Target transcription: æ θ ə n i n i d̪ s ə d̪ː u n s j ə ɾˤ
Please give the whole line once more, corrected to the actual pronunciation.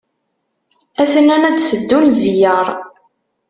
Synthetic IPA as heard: æ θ ə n æ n æ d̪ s ə d̪ː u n z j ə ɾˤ